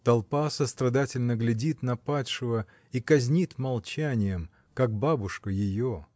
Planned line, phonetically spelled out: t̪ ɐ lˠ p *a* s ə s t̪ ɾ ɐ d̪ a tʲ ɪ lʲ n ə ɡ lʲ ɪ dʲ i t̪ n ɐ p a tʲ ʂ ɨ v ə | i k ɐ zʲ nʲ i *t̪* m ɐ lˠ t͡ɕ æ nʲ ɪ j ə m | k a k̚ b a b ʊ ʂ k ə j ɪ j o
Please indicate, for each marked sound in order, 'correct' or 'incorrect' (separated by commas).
correct, correct